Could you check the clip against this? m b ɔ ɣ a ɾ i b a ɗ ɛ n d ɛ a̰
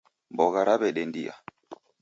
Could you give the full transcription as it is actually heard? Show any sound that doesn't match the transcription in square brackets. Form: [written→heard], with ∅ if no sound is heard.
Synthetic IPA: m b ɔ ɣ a ɾ [i→a] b [a→ɛ] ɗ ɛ n d [ɛ→i] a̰